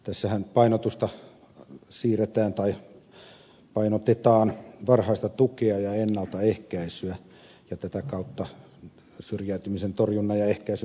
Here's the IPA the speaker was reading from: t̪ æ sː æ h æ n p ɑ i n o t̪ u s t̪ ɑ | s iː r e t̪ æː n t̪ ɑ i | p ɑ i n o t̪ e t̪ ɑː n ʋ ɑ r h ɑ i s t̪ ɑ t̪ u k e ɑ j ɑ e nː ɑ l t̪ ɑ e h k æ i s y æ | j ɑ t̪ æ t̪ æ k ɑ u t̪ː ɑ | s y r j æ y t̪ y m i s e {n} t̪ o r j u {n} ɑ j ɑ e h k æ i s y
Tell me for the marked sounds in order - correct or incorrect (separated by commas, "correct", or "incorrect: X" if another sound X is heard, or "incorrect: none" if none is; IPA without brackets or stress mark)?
correct, incorrect: nː